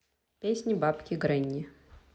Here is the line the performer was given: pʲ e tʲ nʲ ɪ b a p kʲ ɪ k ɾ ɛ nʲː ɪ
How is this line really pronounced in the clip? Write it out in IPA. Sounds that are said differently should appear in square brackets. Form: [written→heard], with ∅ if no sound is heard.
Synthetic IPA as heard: pʲ e [tʲ→sʲ] nʲ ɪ b a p kʲ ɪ [k→ɡ] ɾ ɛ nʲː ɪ

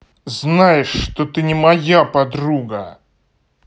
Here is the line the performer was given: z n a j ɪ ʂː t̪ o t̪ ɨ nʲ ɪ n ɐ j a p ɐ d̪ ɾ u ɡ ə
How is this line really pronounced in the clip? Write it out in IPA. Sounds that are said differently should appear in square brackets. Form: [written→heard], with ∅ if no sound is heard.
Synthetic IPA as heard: z n a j ɪ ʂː t̪ o t̪ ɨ nʲ ɪ [n→m] ɐ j a p ɐ d̪ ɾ u ɡ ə

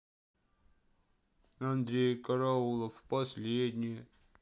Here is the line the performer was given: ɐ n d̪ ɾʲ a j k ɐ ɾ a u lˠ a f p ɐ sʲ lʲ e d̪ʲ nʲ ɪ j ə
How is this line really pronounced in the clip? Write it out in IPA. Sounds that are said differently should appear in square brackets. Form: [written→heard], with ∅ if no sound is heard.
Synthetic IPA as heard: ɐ n d̪ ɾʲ [a→e] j k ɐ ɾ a u lˠ [a→ə] f p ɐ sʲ lʲ e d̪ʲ nʲ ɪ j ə

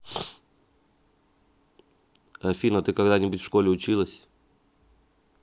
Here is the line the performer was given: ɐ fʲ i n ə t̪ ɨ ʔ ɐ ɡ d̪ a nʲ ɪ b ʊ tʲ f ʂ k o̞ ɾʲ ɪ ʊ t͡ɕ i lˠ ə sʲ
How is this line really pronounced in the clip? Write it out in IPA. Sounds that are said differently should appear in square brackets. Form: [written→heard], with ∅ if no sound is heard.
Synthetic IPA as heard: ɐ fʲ i n ə t̪ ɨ [ʔ→k] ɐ ɡ d̪ a nʲ ɪ b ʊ tʲ f ʂ k o̞ [ɾʲ→lʲ] ɪ ʊ t͡ɕ i lˠ ə sʲ

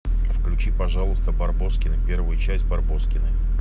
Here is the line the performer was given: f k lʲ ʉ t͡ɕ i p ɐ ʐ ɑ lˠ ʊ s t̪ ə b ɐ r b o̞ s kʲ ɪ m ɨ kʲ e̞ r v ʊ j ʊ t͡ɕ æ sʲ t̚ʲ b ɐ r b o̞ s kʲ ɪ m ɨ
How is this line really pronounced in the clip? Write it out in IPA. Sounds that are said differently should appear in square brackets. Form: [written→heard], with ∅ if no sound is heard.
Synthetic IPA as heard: f k lʲ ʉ t͡ɕ i p ɐ ʐ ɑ lˠ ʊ s t̪ ə b ɐ r b o̞ s kʲ ɪ [m→n] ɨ [kʲ→pʲ] e̞ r v ʊ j ʊ t͡ɕ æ sʲ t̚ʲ b ɐ r b o̞ s kʲ ɪ [m→n] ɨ

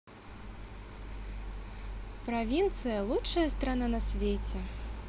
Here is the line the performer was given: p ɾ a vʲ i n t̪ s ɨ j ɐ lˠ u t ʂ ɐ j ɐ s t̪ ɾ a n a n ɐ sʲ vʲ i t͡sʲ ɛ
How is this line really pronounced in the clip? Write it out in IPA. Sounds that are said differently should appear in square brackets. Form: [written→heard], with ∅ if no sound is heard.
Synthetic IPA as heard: p ɾ a vʲ i n t̪ s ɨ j ɐ lˠ u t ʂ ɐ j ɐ s t̪ ɾ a n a n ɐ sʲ vʲ [i→e] t͡sʲ ɛ

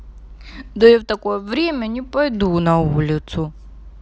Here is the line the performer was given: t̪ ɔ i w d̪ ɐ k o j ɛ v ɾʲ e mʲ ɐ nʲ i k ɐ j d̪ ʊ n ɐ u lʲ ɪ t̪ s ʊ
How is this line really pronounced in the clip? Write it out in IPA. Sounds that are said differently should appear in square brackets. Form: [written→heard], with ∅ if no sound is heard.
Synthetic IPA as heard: [t̪→d̪] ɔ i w [d̪→t̪] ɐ k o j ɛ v ɾʲ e mʲ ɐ nʲ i [k→p] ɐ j d̪ [ʊ→u] n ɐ u lʲ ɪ t̪ s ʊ

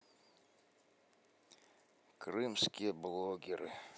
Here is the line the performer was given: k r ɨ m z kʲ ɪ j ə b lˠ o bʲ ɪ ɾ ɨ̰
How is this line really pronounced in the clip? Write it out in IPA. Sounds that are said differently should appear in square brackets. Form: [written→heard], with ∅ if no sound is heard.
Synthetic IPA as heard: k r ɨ m [z→s] kʲ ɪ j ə b lˠ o [bʲ→ɡʲ] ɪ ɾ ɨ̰

